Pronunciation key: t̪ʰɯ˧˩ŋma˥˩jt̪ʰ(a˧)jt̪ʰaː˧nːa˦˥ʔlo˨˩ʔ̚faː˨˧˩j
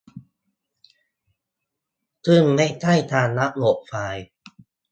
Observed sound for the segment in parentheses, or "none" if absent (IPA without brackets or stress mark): a˥˩